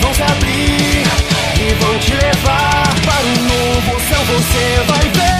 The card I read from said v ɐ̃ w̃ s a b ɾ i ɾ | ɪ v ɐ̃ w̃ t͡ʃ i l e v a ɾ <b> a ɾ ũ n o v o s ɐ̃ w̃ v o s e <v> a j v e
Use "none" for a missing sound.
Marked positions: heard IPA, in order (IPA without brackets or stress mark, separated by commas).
p, v